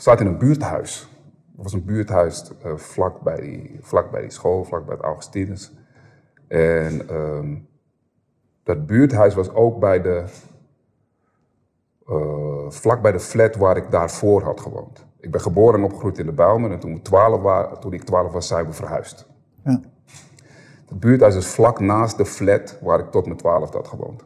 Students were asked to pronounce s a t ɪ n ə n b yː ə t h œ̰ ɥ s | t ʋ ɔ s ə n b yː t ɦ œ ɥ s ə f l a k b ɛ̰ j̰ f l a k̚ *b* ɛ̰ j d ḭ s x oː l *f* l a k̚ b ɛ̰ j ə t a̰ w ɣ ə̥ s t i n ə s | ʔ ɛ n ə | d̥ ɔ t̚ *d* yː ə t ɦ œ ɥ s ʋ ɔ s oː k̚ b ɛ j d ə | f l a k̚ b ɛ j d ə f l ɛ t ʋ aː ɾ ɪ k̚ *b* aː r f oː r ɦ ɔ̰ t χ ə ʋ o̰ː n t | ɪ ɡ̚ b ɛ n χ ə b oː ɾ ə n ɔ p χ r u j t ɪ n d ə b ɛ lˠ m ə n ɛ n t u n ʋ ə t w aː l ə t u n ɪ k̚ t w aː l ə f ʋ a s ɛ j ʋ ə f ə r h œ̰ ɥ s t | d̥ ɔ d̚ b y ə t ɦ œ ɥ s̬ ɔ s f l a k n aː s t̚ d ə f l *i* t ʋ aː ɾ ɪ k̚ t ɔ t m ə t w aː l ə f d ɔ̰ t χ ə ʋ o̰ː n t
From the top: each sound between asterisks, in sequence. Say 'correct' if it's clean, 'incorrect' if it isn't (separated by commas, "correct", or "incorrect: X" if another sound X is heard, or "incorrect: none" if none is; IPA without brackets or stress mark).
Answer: correct, correct, incorrect: b, incorrect: d, incorrect: ɛ